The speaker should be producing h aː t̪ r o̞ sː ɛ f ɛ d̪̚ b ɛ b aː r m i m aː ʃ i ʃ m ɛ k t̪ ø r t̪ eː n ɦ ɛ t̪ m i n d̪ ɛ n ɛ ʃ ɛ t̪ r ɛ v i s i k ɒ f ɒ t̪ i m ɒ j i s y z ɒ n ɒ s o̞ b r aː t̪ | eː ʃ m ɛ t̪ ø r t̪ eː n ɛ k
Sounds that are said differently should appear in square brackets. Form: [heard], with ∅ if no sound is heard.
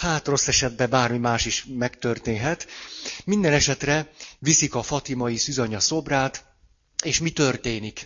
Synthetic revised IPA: h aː t̪ r o̞ sː ɛ [ʃ] ɛ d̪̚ b ɛ b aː r m i m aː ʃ i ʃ m ɛ k t̪ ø r t̪ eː n ɦ ɛ t̪ m i n d̪ ɛ n ɛ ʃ ɛ t̪ r ɛ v i s i k ɒ f ɒ t̪ i m ɒ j i s y z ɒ [ɲ] ɒ s o̞ b r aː t̪ | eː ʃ m [i] t̪ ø r t̪ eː n [i] k